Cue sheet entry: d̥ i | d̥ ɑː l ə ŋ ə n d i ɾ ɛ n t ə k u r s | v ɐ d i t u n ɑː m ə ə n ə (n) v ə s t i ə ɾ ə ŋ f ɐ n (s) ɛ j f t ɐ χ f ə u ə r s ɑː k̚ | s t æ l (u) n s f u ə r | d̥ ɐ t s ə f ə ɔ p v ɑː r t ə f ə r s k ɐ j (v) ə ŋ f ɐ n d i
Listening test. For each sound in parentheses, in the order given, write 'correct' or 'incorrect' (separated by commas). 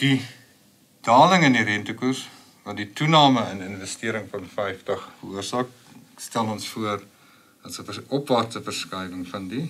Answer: correct, incorrect, incorrect, correct